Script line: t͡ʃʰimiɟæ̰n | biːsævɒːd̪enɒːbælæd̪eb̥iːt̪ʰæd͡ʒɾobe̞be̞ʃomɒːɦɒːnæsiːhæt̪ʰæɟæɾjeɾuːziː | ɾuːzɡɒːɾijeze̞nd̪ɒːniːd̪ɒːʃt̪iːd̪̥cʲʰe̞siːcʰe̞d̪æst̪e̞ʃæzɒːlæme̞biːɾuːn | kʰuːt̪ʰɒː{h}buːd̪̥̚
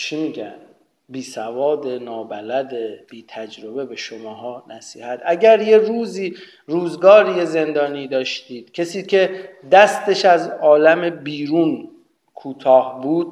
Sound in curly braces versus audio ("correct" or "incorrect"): correct